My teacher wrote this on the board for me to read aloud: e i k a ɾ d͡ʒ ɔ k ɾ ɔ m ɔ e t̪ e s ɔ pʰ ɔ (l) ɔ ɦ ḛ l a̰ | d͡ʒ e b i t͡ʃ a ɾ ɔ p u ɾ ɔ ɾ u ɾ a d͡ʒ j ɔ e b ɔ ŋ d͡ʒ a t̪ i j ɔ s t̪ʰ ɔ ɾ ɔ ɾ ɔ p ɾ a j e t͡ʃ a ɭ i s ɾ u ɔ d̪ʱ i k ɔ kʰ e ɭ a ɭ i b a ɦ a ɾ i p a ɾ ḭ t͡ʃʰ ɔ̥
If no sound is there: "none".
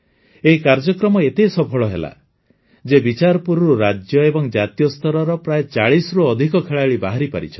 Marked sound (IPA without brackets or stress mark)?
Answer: ɭ